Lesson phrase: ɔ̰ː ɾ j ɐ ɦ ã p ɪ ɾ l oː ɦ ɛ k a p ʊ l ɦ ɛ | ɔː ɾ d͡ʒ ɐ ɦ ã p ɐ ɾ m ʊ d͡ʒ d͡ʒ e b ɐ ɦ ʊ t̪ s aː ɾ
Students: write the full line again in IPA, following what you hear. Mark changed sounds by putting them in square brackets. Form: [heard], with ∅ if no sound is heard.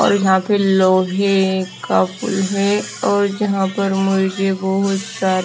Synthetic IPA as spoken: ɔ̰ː ɾ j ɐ ɦ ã p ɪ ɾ l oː ɦ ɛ k a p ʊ l ɦ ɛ | ɔː ɾ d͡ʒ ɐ ɦ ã p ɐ ɾ m ʊ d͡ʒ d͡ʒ e b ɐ ɦ ʊ t̪ s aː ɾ